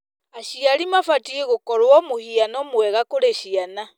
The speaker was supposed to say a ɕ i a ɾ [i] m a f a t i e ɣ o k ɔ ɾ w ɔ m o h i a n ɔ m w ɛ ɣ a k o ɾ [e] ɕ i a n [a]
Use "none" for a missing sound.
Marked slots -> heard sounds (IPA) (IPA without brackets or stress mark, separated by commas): i, e, a